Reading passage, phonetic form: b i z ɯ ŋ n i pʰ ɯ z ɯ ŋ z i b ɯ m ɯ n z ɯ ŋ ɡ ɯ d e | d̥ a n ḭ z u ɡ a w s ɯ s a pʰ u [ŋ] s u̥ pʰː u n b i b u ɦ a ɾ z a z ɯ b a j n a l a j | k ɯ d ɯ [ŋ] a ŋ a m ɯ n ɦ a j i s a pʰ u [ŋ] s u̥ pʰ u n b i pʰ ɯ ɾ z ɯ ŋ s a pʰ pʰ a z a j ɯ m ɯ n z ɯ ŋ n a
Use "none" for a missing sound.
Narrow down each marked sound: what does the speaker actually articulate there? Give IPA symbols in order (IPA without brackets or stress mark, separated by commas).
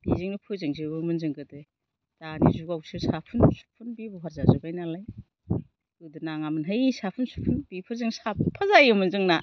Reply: n, n, n